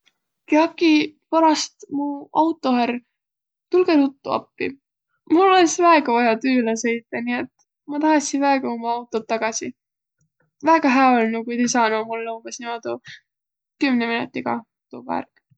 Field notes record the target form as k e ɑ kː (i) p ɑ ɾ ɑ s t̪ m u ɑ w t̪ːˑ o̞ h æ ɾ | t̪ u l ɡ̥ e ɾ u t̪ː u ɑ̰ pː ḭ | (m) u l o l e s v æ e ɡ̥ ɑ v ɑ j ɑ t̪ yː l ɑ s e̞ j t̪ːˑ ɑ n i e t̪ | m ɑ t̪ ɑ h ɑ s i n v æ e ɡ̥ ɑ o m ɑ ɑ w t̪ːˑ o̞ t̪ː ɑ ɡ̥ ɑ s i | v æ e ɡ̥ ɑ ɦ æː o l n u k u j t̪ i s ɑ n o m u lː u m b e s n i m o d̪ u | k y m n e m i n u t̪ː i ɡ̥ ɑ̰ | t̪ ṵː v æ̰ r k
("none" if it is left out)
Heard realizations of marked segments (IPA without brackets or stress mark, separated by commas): i, m